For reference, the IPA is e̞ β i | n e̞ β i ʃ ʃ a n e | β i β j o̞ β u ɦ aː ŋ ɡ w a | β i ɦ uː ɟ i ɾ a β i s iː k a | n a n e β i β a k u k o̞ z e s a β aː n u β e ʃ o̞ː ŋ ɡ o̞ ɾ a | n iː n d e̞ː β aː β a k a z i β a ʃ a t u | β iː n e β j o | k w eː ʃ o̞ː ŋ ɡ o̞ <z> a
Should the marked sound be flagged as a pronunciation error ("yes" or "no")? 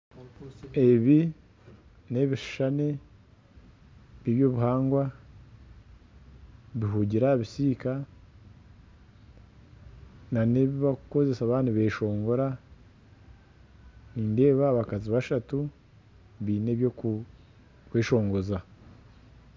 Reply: no